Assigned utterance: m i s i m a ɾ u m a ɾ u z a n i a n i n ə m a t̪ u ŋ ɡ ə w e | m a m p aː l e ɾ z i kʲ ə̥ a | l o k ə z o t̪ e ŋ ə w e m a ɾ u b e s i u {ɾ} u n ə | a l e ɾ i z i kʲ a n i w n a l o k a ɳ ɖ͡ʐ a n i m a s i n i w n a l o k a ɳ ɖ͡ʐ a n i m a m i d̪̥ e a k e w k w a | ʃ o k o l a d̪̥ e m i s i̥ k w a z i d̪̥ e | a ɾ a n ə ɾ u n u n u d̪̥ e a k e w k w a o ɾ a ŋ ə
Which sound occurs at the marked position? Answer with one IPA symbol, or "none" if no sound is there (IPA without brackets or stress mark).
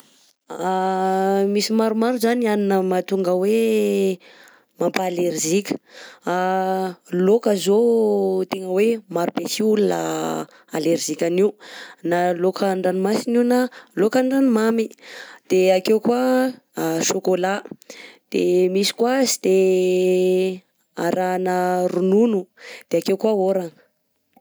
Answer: l